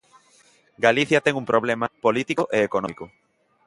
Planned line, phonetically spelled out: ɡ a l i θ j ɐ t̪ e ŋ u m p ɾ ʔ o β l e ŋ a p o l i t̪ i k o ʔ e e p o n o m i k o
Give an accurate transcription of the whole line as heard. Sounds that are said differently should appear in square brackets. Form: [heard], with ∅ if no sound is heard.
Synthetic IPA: ɡ a l i θ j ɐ t̪ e ŋ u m p ɾ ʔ o β l e [m] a p o l i t̪ i k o ʔ e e [k] o n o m i k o

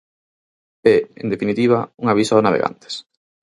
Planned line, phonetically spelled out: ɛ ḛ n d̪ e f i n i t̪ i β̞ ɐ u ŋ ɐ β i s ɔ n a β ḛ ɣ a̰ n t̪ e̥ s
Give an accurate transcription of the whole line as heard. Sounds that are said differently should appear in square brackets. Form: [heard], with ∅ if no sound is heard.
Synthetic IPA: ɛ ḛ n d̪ e f i n i t̪ i β̞ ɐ u ŋ [a] β i s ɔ n a β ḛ ɣ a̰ n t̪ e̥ s

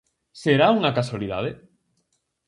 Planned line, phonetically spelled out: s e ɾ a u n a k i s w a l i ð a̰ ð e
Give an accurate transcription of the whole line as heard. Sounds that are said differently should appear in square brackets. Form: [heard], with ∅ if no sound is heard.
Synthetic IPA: s e ɾ a u [ŋ] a k [a] s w a l i ð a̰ ð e

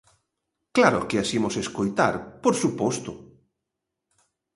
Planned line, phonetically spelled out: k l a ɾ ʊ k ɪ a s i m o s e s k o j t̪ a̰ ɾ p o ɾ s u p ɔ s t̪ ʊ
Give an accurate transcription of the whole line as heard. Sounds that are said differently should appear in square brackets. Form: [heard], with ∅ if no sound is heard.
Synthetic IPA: k l a ɾ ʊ k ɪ a s i m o s e s k o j t̪ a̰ ɾ p o ɾ s u p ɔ s t̪ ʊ

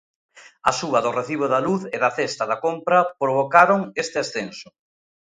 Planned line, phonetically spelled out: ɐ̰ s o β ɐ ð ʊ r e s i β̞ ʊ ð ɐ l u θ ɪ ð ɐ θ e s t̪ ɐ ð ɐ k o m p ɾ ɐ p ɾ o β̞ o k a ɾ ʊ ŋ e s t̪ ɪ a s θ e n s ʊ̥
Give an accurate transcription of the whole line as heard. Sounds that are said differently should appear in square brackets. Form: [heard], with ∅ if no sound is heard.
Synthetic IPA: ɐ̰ s [u] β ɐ ð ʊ r e [θ] i β̞ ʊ ð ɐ l u θ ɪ ð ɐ θ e s t̪ ɐ ð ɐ k o m p ɾ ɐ p ɾ o β̞ o k a ɾ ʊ ŋ e s t̪ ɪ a s θ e n s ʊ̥

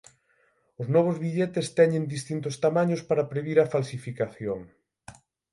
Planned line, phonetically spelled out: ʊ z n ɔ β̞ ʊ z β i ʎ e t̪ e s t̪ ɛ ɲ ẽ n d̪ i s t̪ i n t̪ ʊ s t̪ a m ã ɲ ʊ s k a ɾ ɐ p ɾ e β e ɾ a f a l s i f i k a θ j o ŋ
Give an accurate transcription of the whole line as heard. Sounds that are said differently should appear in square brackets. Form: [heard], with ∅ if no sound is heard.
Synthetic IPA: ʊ z n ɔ β̞ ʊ z β i ʎ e t̪ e s t̪ ɛ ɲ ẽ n d̪ i s t̪ i n t̪ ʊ s t̪ a m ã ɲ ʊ s [p] a ɾ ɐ p ɾ e β [i] ɾ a f a l s i f i k a θ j o ŋ

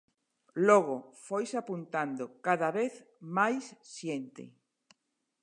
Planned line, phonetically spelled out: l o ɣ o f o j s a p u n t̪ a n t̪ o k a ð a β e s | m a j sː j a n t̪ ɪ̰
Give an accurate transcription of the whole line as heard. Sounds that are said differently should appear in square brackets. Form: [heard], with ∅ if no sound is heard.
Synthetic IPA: l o ɣ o f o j s a p u n t̪ a n [d̪] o k a ð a β e [θ] | m a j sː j [e] n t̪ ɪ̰

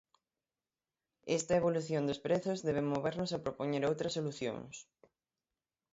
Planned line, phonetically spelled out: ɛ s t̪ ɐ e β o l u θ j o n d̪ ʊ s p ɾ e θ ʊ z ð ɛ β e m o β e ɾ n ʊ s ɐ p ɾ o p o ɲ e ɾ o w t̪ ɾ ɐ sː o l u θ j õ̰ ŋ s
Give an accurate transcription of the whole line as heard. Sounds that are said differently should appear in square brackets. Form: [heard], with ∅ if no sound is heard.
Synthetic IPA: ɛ s t̪ ɐ e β o l u θ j o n d̪ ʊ s p ɾ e θ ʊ z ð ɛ β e m o β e ɾ n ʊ s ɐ p ɾ o p o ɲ e ɾ o w t̪ ɾ ɐ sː o l u θ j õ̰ ŋ s

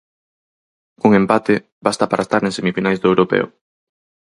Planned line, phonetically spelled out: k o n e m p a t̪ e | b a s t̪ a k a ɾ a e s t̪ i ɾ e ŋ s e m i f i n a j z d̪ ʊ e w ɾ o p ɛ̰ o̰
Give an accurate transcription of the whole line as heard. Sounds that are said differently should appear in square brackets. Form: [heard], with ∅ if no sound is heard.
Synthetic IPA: k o [ŋ] e m p a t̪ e | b a s t̪ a [p] a ɾ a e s t̪ [a] ɾ e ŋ s e m i f i n a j z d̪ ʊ e w ɾ o p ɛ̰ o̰

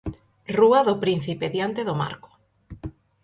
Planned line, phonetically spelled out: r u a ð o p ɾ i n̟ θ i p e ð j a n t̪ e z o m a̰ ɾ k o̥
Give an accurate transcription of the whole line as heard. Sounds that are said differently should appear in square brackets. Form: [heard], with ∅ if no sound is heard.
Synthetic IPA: r u a ð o p ɾ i n̟ θ i p e ð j a n t̪ e [ð] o m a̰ ɾ k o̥

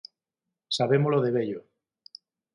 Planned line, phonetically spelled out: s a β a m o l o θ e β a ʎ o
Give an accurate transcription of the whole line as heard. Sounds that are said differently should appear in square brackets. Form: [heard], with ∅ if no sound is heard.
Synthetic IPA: s a β [e] m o l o [ð] e β [e] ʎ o

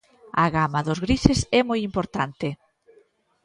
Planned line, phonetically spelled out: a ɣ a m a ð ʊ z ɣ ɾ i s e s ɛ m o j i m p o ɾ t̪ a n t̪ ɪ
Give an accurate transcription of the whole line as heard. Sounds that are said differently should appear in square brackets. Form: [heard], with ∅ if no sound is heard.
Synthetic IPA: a ɣ a m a ð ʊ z ɣ ɾ i s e s ɛ m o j i m p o ɾ t̪ a n t̪ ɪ

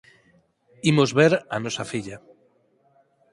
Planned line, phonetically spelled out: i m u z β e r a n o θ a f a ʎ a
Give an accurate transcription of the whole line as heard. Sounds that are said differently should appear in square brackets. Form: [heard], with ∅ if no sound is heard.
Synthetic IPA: i m [o] z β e [ɾ] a n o [s] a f [i] ʎ a

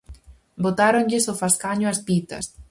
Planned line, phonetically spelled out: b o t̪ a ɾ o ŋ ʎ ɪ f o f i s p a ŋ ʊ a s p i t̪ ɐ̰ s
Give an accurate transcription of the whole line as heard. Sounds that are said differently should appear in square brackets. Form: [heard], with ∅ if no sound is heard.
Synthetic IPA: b o t̪ a ɾ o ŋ ʎ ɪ [s] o f [a] s [k] a [ɲ] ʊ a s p i t̪ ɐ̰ s

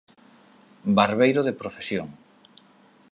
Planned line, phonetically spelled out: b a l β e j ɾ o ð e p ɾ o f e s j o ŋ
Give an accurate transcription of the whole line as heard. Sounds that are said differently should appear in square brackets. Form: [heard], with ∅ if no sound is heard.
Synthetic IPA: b a [ɾ] β e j ɾ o ð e p ɾ o f e s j o ŋ

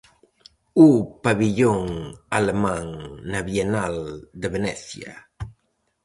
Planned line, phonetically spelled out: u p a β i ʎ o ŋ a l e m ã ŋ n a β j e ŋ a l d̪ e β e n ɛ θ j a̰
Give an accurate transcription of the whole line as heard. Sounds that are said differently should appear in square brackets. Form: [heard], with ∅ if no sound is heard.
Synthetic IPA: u p a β i ʎ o ŋ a l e m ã ŋ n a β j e [n] a l d̪ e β e n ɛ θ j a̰

